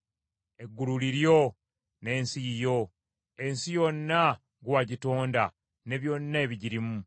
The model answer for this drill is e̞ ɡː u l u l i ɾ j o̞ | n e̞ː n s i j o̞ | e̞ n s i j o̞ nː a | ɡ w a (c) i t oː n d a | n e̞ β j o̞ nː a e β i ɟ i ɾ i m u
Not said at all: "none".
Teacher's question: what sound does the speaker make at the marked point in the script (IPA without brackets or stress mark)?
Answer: ɟ